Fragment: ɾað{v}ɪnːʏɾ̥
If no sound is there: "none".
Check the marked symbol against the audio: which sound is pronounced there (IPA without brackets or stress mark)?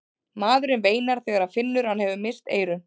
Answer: f